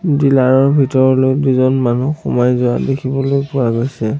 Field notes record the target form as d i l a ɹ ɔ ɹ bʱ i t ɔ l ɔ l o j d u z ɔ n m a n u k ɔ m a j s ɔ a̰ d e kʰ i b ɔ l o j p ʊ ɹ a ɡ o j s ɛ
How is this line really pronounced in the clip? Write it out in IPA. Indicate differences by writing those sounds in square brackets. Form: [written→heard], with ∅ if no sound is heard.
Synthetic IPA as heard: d i l a ɹ ɔ ɹ bʱ i t ɔ [l→ɹ] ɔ l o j d u z ɔ n m a n u [k→x] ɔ m a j [s→z] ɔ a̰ d e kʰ i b ɔ l o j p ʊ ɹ a ɡ o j s ɛ